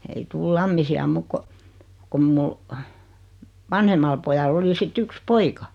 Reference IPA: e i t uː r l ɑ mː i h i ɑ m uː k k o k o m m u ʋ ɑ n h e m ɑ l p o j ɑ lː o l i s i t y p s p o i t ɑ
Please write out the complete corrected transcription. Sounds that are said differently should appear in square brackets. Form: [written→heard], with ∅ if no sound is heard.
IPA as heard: e i t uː [r→l] l ɑ mː i [h→s] i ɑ m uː k k o k o m m u ʋ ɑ n h e m ɑ l p o j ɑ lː o l i s i t y [p→k] s p o i [t→k] ɑ